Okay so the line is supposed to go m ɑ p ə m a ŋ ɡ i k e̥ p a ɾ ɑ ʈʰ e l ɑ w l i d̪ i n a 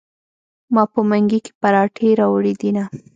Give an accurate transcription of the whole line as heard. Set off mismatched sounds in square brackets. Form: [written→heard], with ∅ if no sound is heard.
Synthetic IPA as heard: m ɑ p ə m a ŋ ɡ i k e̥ p a ɾ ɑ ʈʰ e [l→ɾ] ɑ w [l→ɽ] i d̪ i n a